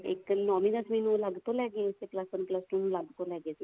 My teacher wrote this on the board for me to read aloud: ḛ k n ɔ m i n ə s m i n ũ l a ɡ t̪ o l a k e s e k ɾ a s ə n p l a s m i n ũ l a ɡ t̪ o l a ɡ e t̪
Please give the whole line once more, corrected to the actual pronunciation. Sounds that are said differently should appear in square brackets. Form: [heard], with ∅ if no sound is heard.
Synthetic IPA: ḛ k n ɔ m i n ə s m i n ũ l a ɡ t̪ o l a [ɡ] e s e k [l] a s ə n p l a s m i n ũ l a ɡ t̪ o l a ɡ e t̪